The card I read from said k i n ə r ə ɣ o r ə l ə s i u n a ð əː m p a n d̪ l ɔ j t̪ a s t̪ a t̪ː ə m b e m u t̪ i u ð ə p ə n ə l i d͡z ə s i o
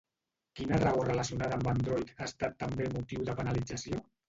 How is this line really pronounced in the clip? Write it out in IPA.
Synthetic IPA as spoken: k i n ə r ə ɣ o r ə l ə s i u n a ð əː m b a n d̪ ɾ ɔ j t̪ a s t̪ a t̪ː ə m b e m u t̪ i w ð ə p ə n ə l i d͡z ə s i o

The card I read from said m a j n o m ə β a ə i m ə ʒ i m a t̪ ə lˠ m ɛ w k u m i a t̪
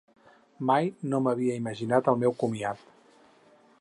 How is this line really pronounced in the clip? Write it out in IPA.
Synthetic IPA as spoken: m a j n o m ə β i ə i m ə ʒ i n a t̪ ə lˠ m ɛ w k u m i a t̪

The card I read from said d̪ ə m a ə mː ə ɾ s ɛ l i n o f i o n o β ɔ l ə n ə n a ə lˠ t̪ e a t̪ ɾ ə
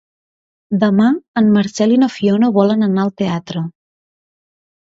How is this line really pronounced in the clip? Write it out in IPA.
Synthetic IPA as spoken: d̪ ə m a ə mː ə ɾ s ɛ l i n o f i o n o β ɔ l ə n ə n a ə lˠ t̪ e a t̪ ɾ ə

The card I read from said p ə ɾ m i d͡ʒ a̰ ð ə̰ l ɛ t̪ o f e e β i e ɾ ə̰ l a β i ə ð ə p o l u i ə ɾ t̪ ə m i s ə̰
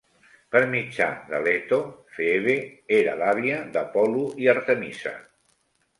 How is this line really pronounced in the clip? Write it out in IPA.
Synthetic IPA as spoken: p ə ɾ m i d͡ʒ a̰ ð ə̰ l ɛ t̪ o f e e β e e ɾ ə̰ l a β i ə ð ə p ɔ l u i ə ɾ t̪ ə m i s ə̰

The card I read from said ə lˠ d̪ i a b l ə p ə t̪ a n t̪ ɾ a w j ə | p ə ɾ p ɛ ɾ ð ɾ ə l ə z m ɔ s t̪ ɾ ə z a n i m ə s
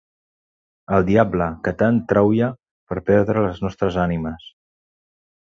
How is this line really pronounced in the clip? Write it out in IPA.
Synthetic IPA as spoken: ə lˠ d̪ i a b l ə k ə t̪ a n t̪ ɾ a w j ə | p ə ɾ p ɛ ɾ ð ɾ ə l ə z n ɔ s t̪ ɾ ə z a n i m ə s

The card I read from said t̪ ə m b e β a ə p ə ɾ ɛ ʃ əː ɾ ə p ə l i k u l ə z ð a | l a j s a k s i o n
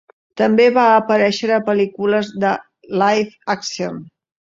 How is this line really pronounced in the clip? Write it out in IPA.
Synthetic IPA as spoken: t̪ ə m b e β a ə p ə ɾ ɛ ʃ ə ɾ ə p ə l i k u l ə z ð ə | l a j f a k s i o n

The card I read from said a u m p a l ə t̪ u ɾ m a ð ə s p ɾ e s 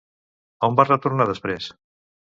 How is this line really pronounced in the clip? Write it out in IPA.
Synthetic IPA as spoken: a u m b a r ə t̪ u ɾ n a ð ə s p ɾ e s

